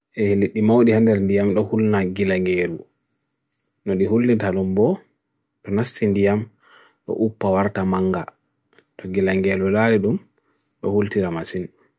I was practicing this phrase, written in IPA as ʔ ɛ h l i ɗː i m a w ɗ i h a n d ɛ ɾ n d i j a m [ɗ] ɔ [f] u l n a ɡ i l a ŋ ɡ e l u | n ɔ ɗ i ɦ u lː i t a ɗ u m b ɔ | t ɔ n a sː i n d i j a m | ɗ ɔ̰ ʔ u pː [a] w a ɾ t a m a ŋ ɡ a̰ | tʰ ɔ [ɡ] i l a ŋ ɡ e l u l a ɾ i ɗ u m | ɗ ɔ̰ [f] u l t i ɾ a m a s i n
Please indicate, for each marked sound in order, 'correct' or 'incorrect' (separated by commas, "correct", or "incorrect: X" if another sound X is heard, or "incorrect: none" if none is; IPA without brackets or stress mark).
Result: correct, incorrect: h, correct, correct, incorrect: h